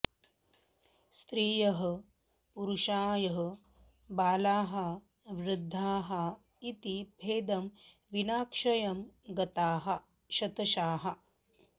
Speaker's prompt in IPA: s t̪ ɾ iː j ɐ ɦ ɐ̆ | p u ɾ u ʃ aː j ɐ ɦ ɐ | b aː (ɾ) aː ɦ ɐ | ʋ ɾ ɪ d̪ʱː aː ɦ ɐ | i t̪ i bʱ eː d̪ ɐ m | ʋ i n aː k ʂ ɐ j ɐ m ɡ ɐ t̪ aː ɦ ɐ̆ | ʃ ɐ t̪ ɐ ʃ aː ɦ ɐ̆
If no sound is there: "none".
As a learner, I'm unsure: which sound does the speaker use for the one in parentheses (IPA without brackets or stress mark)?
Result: l